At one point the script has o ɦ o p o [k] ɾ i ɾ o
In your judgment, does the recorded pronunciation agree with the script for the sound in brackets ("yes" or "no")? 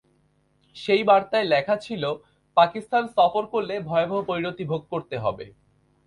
no